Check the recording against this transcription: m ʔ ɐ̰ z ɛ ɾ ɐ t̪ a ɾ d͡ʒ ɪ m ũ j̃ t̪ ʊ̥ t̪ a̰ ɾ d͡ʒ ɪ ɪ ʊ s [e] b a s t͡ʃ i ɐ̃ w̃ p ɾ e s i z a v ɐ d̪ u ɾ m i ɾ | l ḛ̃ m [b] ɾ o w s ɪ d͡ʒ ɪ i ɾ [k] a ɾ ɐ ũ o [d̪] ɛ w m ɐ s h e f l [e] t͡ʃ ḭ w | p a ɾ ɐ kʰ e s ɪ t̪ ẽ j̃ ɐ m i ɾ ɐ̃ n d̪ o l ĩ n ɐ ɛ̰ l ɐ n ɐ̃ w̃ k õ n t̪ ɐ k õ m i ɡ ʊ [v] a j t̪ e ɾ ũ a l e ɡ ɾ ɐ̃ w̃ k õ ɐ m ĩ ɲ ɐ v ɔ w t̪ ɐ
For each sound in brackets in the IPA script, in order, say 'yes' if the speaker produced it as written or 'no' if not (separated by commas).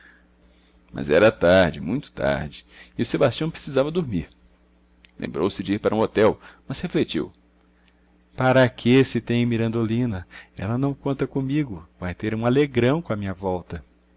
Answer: yes, yes, no, no, yes, yes